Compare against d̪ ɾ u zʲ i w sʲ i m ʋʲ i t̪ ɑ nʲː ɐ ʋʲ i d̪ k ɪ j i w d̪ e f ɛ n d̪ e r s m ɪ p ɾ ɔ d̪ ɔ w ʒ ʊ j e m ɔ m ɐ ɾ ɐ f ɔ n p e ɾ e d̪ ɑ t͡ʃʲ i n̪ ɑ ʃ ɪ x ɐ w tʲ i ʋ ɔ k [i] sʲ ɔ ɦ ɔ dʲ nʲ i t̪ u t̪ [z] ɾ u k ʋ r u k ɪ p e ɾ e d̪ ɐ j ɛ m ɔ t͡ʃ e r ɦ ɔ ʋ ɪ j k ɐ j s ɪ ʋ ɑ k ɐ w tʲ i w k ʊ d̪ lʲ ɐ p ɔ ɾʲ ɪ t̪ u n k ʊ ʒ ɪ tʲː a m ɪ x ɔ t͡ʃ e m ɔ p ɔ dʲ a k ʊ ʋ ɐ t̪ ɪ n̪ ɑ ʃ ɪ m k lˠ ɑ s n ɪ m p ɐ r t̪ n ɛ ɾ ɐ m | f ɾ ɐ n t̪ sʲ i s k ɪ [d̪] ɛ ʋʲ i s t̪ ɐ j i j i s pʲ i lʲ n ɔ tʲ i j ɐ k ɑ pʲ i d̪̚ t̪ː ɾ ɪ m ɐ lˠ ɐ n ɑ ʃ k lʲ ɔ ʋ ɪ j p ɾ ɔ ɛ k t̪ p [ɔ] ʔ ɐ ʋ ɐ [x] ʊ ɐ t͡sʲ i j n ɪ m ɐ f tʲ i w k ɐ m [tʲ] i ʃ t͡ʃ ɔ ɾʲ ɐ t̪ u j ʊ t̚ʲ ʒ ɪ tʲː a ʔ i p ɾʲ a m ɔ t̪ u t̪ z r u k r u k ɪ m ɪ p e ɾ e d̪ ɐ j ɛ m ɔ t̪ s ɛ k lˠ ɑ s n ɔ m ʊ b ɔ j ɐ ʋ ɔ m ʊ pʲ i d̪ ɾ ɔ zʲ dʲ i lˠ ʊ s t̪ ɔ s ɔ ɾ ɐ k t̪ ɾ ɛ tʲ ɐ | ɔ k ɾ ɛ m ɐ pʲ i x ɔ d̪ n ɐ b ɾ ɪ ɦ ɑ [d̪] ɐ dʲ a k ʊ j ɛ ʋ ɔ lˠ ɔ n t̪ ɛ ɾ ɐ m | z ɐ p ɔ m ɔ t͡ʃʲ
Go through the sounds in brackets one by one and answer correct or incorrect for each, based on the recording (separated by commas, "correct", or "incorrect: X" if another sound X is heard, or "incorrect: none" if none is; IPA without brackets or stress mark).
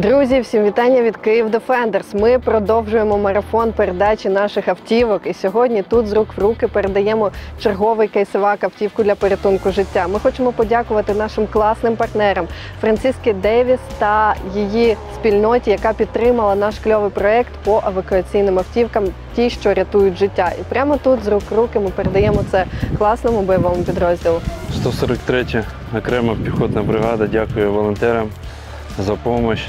correct, correct, correct, correct, incorrect: k, correct, correct